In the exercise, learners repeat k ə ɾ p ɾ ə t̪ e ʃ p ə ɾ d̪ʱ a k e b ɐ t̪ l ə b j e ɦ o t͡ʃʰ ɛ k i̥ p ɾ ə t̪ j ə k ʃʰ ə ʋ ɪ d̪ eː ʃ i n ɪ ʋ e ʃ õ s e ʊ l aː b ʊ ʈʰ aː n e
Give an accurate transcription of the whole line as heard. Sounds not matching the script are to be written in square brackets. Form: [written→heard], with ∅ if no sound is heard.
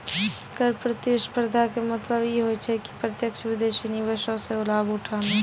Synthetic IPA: k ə ɾ p ɾ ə t̪ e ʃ p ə ɾ d̪ʱ a k e [b→m] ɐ t̪ l ə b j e ɦ o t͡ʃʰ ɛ k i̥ p ɾ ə t̪ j ə k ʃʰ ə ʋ ɪ d̪ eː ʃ i n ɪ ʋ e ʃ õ s e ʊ l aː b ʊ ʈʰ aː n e

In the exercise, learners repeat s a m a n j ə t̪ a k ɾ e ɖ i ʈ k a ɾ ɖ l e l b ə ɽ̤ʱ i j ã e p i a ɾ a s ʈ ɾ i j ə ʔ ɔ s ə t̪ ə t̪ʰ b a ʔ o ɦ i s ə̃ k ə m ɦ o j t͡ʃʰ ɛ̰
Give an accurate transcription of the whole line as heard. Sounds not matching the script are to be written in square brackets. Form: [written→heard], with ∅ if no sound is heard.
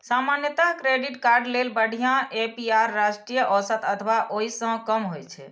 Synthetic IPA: s a m a n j ə t̪ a k ɾ e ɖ i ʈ k a ɾ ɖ l e l b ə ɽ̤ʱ i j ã e p i a [ɾ→ɾː] a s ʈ ɾ i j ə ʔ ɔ s ə t̪ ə t̪ʰ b a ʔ o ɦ i s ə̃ k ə m ɦ o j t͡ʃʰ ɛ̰

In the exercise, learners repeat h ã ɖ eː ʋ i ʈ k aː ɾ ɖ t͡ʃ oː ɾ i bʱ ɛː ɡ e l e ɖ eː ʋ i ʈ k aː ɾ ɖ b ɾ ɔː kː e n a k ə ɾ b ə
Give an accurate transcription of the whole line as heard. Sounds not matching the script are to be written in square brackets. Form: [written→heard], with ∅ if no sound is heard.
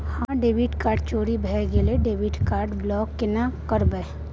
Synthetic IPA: h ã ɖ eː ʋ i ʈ k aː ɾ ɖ t͡ʃ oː ɾ i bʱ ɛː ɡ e l e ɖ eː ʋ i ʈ k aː ɾ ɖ b [ɾ→l] ɔː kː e n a k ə ɾ b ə

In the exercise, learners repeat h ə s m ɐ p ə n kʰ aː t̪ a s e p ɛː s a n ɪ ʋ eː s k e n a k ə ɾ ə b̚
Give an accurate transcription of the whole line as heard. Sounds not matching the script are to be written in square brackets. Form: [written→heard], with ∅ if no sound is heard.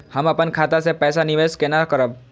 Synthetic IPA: h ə [s→∅] m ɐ p ə n kʰ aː t̪ a s e p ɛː s a n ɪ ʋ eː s k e n a k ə ɾ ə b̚

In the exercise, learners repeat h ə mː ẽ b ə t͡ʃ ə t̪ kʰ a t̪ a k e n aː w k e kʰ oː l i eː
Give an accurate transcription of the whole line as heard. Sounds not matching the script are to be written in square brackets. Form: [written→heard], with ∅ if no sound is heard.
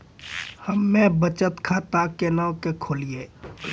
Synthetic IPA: h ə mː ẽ b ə t͡ʃ ə t̪ kʰ a t̪ a k e n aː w k e kʰ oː l i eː

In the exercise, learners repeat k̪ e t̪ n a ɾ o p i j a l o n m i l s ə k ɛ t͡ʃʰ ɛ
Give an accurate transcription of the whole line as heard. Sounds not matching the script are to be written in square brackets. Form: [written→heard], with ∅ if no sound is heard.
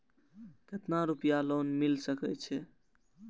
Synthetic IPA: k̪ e t̪ n a ɾ [o→u] p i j a l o n m i l s ə k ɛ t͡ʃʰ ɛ

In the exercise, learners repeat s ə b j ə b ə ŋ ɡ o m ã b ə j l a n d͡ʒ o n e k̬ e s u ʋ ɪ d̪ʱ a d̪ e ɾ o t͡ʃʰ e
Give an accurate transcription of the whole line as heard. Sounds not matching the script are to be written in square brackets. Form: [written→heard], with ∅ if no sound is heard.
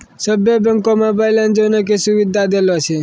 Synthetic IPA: s ə b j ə b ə ŋ [ɡ→k] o m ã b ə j l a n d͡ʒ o n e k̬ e s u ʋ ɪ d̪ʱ a d̪ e [ɾ→l] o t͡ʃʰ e

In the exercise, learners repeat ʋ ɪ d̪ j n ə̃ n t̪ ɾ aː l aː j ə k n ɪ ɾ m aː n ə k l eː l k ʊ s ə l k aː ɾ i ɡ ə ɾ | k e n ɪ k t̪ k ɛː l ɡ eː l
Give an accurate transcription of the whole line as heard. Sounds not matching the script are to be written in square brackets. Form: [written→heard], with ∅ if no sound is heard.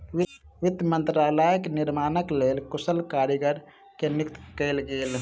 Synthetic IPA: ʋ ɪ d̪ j [n→m] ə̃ n t̪ ɾ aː l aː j ə k n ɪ ɾ m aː n ə k l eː l k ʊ s ə l k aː ɾ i ɡ ə ɾ | k e n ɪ k t̪ k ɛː l ɡ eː l

